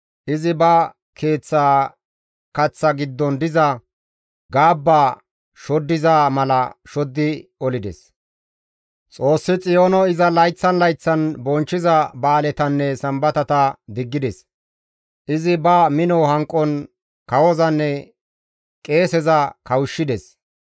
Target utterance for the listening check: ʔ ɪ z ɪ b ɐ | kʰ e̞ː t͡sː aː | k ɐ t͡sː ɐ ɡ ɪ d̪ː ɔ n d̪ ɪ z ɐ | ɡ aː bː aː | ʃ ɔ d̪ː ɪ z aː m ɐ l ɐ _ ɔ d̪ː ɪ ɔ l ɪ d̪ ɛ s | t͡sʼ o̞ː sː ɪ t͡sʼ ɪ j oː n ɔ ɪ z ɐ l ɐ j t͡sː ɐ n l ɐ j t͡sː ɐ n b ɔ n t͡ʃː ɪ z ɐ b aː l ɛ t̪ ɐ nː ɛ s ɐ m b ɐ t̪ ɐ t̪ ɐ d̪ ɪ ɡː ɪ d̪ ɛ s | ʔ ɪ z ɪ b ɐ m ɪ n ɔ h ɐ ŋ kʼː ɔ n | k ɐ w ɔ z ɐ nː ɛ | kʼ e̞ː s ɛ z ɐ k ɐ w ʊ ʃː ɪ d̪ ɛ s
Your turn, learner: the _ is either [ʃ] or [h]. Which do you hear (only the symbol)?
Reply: ʃ